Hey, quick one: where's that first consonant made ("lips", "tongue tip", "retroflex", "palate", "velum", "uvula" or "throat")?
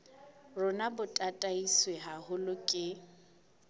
tongue tip